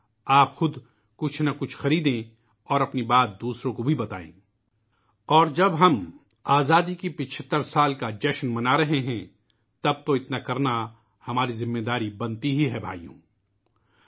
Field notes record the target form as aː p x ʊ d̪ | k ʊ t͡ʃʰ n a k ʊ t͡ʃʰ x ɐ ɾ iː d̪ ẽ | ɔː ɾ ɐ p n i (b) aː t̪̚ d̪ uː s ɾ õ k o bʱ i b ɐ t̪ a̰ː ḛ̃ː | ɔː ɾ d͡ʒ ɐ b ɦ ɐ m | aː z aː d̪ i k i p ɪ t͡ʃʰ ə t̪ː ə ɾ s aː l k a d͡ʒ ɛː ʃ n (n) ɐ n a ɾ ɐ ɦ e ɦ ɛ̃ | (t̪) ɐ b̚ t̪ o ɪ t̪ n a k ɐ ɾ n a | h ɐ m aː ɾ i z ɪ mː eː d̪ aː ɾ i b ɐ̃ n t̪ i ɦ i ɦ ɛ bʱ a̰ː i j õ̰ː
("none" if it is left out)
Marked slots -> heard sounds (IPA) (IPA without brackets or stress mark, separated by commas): b, m, t̪